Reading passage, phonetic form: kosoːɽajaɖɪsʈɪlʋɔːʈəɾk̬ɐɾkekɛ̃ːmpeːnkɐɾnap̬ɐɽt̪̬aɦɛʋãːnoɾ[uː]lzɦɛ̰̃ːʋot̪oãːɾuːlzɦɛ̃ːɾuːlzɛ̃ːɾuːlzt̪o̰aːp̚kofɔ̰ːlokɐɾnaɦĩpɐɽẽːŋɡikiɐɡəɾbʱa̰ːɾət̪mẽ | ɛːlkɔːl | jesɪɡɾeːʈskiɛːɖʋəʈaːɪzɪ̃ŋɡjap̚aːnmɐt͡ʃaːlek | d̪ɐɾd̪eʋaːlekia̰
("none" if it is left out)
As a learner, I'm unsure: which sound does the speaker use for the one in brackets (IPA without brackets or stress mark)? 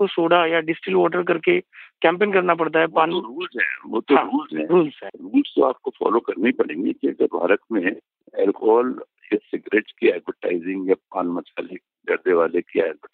uː